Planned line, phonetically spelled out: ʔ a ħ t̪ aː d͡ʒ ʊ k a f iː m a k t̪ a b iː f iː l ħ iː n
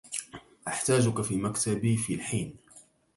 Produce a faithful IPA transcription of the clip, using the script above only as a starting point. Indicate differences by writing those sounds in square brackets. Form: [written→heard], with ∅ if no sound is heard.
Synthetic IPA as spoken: ʔ a ħ t̪ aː d͡ʒ ʊ k a f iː m a k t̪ a b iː f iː l ħ iː n